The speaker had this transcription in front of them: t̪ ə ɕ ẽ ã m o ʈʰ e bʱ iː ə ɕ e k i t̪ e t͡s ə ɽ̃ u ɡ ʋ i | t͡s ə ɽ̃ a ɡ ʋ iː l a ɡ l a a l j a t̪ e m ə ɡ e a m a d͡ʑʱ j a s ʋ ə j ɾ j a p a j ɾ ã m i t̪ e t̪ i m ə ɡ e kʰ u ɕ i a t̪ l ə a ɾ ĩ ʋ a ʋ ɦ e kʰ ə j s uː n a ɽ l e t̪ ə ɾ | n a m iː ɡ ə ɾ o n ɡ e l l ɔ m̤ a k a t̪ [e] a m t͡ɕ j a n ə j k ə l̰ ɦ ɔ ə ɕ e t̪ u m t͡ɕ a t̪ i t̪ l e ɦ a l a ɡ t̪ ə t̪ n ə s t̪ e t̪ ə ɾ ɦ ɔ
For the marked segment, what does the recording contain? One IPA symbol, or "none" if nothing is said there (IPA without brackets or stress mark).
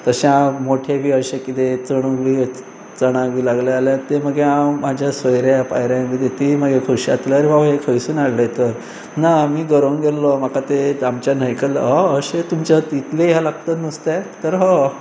e